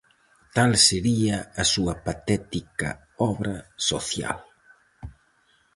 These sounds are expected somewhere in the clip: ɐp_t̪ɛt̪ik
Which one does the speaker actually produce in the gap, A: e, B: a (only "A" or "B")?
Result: B